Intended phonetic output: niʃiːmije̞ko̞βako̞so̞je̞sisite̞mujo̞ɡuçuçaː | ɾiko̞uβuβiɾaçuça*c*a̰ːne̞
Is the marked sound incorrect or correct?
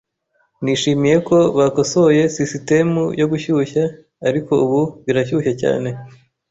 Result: correct